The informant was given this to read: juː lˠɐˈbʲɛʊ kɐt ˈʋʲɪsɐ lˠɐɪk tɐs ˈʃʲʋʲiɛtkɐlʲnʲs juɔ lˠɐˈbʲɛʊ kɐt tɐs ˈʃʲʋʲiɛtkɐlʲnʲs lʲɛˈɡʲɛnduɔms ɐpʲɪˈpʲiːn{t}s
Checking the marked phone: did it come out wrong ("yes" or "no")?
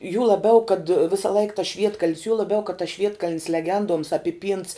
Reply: no